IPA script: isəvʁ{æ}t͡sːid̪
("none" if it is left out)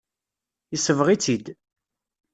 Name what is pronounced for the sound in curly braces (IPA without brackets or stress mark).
i